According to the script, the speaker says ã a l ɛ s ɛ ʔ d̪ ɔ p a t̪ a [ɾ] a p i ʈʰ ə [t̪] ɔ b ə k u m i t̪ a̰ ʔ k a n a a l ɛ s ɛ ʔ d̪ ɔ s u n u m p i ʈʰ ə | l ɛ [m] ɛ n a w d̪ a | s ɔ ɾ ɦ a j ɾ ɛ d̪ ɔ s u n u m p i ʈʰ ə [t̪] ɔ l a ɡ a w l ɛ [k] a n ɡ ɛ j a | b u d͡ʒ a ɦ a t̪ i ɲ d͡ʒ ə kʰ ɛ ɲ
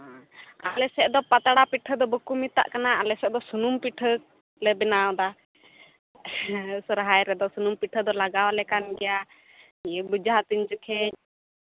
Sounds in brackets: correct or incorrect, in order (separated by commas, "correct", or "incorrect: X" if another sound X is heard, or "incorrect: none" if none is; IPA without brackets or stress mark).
incorrect: ɽ, incorrect: d̪, incorrect: b, incorrect: d̪, correct